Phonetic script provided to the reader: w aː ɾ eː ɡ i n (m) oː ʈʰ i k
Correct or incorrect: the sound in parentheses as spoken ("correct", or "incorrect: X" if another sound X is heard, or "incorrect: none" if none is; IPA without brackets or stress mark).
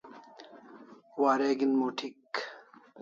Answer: correct